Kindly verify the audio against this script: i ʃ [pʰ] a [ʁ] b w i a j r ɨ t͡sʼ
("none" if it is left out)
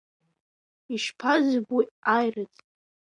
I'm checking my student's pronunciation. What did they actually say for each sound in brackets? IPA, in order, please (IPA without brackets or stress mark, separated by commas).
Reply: pʰ, z